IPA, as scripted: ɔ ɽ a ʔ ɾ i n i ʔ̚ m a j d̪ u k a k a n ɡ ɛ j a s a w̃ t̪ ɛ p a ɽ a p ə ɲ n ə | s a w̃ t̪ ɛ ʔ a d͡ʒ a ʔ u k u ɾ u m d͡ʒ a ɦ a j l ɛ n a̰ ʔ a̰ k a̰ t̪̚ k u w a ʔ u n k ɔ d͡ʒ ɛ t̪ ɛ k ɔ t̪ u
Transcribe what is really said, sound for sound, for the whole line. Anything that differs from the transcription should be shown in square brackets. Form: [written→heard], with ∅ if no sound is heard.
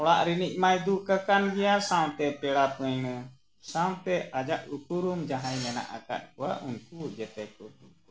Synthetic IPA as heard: ɔ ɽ a ʔ ɾ i n i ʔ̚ m a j d̪ u k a k a n ɡ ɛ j a s a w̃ t̪ ɛ p [a→ɛ] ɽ a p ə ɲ n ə | s a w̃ t̪ ɛ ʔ a d͡ʒ a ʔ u k u ɾ u m d͡ʒ a ɦ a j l ɛ n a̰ ʔ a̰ k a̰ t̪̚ k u w a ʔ u n k [ɔ→u] d͡ʒ ɛ t̪ ɛ k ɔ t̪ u